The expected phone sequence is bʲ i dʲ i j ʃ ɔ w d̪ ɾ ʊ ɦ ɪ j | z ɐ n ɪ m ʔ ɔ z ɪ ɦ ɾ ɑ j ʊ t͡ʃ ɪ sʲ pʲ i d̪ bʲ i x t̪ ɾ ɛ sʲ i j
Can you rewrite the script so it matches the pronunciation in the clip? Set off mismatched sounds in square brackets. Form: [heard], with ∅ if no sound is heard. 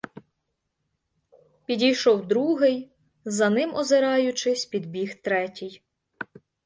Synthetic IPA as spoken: [pʲ] i dʲ i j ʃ ɔ w d̪ ɾ [u] ɦ ɪ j | z ɐ n ɪ m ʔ ɔ z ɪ [∅] ɾ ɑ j ʊ t͡ʃ ɪ sʲ pʲ i d̪ bʲ i x t̪ ɾ ɛ [tʲ] i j